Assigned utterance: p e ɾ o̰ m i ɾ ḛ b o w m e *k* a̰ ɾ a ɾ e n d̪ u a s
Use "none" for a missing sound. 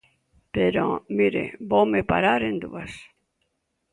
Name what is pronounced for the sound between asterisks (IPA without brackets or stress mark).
p